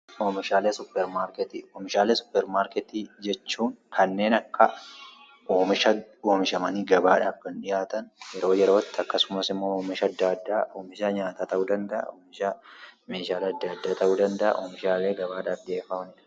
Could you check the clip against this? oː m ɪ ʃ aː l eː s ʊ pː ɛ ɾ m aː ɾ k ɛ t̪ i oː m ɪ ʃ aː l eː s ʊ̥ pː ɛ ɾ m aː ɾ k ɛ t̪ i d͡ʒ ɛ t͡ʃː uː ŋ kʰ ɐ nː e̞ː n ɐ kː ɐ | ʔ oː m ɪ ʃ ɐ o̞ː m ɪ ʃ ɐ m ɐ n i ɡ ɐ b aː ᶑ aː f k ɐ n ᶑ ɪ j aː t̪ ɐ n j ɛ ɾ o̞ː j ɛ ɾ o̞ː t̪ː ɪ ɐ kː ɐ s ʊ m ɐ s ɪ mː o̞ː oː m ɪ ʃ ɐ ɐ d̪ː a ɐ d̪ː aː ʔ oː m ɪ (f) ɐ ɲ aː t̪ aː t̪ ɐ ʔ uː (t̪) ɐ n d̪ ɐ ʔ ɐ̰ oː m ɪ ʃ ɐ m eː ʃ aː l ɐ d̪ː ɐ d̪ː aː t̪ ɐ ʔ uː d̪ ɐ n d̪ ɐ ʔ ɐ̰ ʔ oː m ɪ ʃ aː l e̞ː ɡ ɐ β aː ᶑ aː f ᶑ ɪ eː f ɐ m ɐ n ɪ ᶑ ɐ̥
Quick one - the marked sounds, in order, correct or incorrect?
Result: incorrect, incorrect

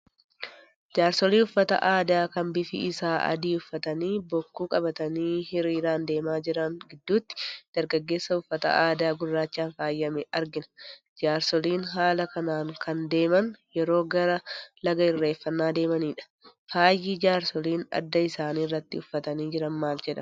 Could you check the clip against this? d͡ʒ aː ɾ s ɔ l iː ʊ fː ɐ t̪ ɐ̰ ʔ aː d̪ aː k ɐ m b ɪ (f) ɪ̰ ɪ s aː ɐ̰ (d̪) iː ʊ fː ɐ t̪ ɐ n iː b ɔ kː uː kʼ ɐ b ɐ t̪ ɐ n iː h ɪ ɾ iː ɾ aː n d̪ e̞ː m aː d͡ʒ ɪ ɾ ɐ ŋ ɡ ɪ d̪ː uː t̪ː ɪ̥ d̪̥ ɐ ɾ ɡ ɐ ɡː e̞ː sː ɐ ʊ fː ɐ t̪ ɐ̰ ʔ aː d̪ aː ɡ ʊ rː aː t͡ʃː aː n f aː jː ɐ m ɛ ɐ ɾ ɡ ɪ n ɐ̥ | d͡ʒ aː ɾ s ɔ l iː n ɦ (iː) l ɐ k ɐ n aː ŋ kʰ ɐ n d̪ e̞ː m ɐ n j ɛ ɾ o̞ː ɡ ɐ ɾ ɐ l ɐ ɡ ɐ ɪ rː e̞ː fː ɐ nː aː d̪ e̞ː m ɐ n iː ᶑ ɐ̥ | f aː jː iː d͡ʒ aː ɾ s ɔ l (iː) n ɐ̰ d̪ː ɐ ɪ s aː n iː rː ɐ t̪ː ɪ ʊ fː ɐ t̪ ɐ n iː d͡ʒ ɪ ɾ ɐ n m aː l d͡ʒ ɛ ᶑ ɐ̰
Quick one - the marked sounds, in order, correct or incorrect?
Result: correct, correct, incorrect, correct

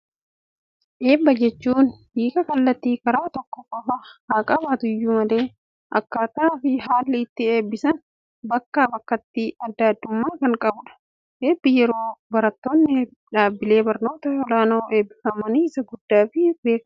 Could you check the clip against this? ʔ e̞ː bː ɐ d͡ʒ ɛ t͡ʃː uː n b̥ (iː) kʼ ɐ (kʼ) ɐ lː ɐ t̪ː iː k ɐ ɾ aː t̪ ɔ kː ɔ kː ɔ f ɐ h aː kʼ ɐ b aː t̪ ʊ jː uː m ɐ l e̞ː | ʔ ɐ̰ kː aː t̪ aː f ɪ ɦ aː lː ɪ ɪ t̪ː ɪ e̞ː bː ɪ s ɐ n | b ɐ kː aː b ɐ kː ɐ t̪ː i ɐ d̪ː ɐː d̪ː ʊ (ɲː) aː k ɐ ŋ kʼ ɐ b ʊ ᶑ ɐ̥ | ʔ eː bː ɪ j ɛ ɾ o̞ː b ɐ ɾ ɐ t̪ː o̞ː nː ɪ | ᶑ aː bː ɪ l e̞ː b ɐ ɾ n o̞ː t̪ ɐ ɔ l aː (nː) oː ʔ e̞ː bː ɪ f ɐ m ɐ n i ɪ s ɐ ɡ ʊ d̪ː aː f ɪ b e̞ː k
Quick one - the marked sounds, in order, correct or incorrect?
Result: correct, incorrect, incorrect, incorrect

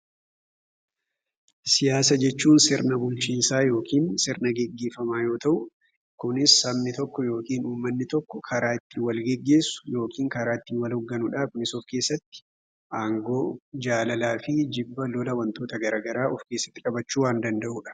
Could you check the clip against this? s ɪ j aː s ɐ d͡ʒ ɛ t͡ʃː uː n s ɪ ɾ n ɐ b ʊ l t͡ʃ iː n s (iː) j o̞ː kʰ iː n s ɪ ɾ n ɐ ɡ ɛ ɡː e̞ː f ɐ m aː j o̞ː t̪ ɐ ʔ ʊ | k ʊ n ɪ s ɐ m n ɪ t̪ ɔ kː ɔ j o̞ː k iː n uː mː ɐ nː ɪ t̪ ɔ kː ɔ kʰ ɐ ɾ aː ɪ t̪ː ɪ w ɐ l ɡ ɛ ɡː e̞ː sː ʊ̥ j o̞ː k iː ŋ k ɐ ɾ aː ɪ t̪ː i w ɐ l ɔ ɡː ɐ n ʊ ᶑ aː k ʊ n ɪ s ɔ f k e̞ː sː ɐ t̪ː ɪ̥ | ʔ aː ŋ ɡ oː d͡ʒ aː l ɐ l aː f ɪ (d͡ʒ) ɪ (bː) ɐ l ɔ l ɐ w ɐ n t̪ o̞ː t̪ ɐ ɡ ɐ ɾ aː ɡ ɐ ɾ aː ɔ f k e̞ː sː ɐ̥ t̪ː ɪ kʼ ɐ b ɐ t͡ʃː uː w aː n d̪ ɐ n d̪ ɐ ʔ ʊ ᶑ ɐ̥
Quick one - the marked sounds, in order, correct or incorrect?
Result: incorrect, correct, correct

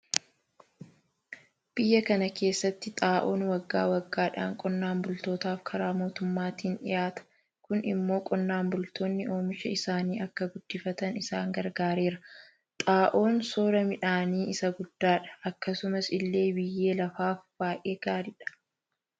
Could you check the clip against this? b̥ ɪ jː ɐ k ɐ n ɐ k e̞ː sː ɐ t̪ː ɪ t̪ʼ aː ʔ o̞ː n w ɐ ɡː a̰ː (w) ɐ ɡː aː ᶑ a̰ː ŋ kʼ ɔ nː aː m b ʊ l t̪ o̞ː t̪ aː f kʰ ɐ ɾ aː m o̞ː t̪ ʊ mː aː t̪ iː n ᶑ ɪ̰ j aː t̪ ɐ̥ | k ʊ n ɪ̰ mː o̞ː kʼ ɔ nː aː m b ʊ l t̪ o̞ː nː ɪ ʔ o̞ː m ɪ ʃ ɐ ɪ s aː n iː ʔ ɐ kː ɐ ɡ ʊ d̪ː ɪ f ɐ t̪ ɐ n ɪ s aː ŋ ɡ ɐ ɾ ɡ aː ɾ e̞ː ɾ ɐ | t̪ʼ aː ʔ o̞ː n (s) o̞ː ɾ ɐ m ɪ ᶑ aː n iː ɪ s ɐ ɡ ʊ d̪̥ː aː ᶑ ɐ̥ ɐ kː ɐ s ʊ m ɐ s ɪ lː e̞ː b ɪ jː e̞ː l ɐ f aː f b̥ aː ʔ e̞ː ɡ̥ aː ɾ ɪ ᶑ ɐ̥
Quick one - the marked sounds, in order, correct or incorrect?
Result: correct, correct

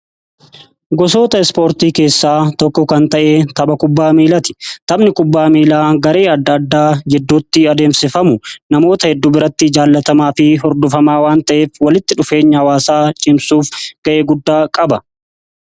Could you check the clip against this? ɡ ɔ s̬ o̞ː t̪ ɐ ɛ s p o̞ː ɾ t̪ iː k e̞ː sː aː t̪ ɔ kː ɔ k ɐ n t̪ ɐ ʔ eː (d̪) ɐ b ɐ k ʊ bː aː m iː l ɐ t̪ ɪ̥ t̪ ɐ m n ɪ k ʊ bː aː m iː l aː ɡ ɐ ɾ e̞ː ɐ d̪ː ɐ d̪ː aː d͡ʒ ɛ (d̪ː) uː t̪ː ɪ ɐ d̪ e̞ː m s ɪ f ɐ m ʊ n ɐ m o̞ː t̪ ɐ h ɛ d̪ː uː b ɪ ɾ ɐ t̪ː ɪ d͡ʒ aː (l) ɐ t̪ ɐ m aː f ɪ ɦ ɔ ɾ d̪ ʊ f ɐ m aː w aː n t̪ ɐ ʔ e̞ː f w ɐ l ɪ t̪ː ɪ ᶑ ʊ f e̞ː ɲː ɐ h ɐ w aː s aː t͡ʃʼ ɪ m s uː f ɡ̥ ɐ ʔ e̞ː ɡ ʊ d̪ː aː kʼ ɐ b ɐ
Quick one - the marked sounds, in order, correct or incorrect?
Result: incorrect, correct, incorrect

